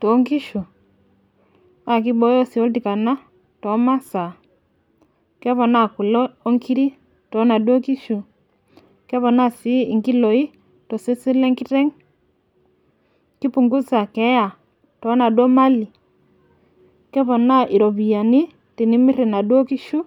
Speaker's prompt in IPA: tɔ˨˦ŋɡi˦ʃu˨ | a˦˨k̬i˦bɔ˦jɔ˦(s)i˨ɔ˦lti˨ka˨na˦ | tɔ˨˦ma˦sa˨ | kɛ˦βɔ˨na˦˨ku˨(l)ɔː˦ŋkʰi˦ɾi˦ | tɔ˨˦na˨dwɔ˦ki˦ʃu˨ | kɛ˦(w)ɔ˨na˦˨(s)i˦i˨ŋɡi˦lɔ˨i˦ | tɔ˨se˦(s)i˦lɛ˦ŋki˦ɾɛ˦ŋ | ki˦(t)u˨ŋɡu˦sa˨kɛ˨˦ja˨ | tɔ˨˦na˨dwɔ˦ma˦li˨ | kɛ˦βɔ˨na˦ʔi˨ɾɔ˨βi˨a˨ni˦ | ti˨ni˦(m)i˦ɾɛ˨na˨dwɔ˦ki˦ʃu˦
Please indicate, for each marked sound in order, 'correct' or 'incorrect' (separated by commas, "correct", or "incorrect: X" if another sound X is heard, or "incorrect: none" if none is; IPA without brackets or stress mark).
correct, correct, incorrect: β, correct, correct, incorrect: p, correct